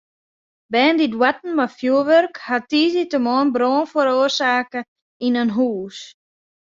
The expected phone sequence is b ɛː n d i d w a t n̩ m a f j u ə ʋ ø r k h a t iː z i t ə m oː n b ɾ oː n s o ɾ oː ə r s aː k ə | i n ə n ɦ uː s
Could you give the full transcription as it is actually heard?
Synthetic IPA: b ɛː n d i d w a t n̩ m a f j u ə ʋ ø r k h a t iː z i t ə m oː n b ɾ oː n f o ɾ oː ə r s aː k ə | i n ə n ɦ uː s